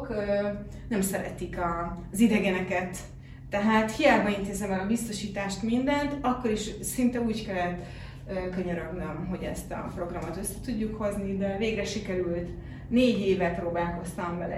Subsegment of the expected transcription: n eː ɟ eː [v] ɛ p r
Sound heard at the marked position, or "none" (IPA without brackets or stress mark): v